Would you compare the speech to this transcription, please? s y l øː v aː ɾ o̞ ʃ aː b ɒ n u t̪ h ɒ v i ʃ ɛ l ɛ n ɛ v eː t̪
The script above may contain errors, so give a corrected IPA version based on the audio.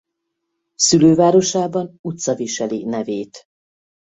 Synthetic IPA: s y l øː v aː ɾ o̞ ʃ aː b ɒ n u t̪ s ɒ v i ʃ ɛ l i n ɛ v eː t̪

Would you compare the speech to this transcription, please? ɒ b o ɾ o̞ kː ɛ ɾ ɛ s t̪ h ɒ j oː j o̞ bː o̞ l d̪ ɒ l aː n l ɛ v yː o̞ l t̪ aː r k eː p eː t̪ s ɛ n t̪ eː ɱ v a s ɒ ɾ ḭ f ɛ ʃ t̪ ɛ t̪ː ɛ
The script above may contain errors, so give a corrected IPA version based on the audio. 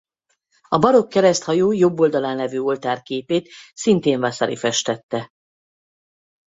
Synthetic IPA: ɒ b ɒ ɾ o̞ kː ɛ ɾ ɛ s t̪ h ɒ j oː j o̞ bː o̞ l d̪ ɒ l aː n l ɛ v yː o̞ l t̪ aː r k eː p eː t̪ s i n t̪ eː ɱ v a s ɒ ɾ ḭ f ɛ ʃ t̪ ɛ t̪ː ɛ

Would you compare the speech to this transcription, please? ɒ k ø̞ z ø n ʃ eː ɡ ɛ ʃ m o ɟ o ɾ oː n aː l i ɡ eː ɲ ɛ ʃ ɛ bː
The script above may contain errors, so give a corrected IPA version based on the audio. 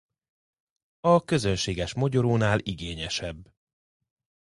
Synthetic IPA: ɒ k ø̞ z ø n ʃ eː ɡ ɛ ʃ m o ɟ o ɾ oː n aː l i ɡ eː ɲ ɛ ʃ ɛ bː

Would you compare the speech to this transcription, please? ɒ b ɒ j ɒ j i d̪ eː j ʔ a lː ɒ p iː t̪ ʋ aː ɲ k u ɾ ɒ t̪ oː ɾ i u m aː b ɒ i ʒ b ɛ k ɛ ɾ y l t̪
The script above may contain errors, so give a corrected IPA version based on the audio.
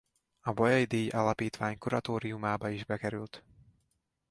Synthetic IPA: ɒ b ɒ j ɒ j i d̪ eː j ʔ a l ɒ p iː t̪ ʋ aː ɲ k u ɾ ɒ t̪ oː ɾ i u m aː b ɒ i ʒ b ɛ k ɛ ɾ y l t̪

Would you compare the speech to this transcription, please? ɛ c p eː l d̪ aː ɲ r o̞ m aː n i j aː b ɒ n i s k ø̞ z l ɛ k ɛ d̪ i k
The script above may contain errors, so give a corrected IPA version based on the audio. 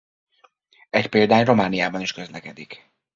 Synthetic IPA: ɛ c p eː l d̪ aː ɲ r o̞ m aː n i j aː b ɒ n i ʃ k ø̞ z l ɛ k ɛ d̪ i k

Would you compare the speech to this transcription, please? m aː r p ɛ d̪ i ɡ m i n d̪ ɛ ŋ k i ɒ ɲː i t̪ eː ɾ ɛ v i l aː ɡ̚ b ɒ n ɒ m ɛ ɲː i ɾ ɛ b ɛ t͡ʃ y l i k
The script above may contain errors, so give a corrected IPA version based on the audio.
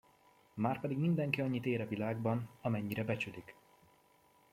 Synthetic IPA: m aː r p ɛ d̪ i ɡ m i n d̪ ɛ ŋ k i ɒ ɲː i t̪ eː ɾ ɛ v i l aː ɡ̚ b ɒ n ɒ m ɛ ɲː i ɾ ɛ b ɛ t͡ʃ y l i k

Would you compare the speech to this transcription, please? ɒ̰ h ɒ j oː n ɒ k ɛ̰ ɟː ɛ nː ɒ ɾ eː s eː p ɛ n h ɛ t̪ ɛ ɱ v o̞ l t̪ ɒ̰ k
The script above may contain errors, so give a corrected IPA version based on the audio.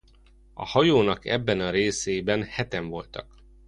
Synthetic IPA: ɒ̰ h ɒ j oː n ɒ k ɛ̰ bː ɛ n ɒ ɾ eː s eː b ɛ n h ɛ t̪ ɛ ɱ v o̞ l t̪ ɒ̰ k

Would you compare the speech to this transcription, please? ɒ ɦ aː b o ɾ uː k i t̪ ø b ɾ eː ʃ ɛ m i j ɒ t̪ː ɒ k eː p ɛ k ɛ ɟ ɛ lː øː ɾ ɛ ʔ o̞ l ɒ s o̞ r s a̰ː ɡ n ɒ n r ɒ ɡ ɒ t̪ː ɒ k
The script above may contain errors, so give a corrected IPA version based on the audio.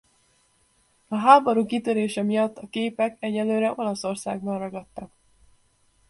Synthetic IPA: ɒ ɦ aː b o ɾ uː k i t̪ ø ɾ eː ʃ ɛ m i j ɒ t̪ː ɒ k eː p ɛ k ɛ ɟ ɛ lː øː ɾ ɛ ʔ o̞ l ɒ s o̞ r s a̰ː ɡ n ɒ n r ɒ ɡ ɒ t̪ː ɒ k

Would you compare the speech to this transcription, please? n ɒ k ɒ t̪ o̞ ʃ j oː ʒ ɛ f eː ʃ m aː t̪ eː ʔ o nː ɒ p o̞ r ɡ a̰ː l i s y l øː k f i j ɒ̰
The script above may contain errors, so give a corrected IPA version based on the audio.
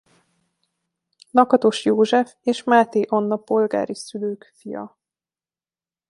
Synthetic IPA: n ɒ k ɒ t̪ o̞ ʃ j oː ʒ ɛ f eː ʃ m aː t̪ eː ʔ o nː ɒ p o̞ l ɡ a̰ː ɾ i s y l øː k f i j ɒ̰

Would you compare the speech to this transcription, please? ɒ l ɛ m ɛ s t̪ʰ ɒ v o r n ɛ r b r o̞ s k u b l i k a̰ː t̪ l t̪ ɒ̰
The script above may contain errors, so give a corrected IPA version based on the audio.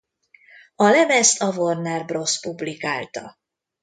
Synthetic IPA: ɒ l ɛ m ɛ s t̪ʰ ɒ v o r n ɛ r b r o̞ s p u b l i k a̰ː l t̪ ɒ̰

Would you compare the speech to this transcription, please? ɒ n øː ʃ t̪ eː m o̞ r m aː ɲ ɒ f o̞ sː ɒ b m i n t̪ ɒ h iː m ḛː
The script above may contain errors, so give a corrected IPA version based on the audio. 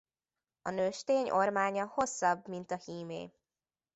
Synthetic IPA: ɒ n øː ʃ t̪ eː ɲ o̞ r m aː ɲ ɒ h o̞ sː ɒ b m i n t̪ ɒ h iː m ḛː

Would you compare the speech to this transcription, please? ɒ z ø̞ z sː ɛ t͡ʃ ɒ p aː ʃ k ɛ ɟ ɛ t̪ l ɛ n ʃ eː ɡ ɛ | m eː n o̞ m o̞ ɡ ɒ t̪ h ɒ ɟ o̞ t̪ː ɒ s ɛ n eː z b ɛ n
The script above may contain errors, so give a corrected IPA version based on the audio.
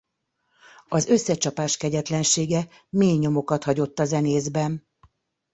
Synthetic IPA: ɒ z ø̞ sː ɛ t͡ʃ ɒ p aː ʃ k ɛ ɟ ɛ t̪ l ɛ n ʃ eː ɡ ɛ | m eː ɲ o̞ m o̞ k ɒ t̪ h ɒ ɟ o̞ t̪ː ɒ z ɛ n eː z b ɛ n

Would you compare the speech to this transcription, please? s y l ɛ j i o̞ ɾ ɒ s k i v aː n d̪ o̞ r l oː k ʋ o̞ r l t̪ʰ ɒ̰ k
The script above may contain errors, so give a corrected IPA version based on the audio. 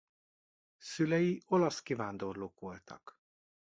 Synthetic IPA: s y l ɛ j i o̞ l ɒ s k i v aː n d̪ o̞ r l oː k ʋ o̞ l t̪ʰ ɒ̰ k

